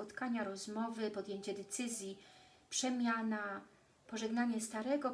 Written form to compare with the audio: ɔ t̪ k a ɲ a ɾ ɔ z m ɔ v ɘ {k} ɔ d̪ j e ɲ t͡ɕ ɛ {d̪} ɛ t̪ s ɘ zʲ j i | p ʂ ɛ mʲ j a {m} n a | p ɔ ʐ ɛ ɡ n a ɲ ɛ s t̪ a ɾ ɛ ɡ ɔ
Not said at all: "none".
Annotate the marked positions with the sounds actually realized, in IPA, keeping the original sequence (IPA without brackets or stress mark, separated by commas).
p, d̪, none